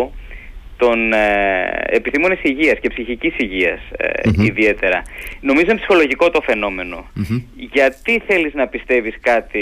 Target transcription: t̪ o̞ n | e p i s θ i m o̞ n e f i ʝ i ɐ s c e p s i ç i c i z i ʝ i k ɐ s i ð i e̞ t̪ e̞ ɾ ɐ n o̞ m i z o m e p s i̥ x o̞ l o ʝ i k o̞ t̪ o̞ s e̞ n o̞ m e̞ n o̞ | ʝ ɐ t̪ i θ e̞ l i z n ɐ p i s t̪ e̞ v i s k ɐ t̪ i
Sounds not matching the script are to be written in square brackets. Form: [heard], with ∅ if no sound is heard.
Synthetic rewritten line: t̪ o̞ n | e p i s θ i m o̞ n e [s] i ʝ i ɐ s c e p s i ç i c i [s] i ʝ i [∅] ɐ s i ð i e̞ t̪ e̞ ɾ ɐ n o̞ m i z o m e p s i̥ x o̞ l o ʝ i k o̞ t̪ o̞ [f] e̞ n o̞ m e̞ n o̞ | ʝ ɐ t̪ i θ e̞ l i z n ɐ p i s t̪ e̞ v i s k ɐ t̪ i